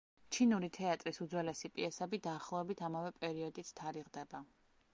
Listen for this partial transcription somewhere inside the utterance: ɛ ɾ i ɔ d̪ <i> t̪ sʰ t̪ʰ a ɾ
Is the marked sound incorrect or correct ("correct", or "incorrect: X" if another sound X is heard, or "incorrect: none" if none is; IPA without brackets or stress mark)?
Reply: correct